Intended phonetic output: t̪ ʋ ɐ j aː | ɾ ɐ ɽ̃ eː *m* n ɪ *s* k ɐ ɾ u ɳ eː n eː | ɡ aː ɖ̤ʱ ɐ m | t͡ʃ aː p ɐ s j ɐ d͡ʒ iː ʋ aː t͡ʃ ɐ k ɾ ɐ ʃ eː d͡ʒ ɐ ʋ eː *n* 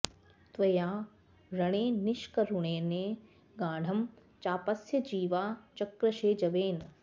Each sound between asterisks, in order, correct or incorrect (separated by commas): incorrect, incorrect, correct